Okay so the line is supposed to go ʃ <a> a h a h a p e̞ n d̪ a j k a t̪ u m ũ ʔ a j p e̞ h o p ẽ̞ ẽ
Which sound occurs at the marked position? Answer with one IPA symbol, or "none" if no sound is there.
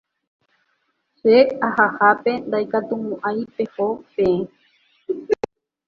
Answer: e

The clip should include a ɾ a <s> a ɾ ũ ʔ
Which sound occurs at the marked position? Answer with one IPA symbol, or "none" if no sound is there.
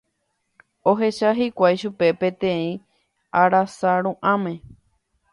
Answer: s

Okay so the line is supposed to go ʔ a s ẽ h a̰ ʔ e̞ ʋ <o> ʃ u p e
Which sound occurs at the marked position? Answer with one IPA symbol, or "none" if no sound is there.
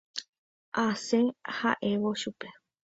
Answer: o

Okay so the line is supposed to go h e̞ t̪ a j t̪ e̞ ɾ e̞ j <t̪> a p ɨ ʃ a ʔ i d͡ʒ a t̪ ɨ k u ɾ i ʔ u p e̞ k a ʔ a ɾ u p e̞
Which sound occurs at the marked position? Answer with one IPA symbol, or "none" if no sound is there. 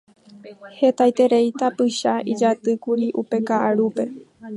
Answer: t̪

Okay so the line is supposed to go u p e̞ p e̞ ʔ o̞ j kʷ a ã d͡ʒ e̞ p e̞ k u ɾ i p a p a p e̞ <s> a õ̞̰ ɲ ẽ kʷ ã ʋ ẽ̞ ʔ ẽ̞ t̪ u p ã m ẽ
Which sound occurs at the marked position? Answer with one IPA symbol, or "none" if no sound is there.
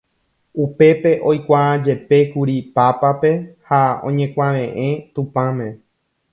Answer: h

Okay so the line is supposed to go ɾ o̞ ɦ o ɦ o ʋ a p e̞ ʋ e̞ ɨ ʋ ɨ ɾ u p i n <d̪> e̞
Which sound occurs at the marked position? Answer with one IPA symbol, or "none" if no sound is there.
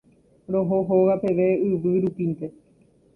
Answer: t̪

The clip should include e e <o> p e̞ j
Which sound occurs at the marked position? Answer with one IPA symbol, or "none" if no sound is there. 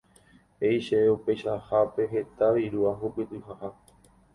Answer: u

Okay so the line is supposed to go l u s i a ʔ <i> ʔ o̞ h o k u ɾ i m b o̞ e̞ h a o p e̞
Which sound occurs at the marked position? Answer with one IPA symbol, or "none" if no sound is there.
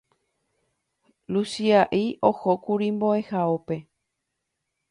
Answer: i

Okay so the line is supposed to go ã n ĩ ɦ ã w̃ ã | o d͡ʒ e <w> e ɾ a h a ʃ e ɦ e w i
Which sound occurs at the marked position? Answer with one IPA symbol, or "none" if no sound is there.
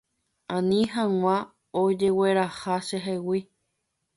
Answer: w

